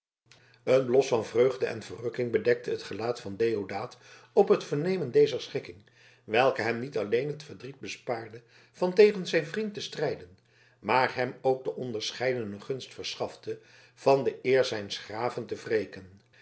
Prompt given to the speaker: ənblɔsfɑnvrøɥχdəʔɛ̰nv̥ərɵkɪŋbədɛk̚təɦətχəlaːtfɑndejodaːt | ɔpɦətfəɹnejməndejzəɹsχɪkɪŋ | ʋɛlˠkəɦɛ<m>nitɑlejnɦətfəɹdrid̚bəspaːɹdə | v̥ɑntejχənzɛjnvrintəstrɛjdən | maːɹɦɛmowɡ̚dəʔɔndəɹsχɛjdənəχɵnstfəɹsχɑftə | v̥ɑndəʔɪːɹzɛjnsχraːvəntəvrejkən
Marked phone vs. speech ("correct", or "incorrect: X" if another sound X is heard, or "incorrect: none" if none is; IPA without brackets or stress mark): correct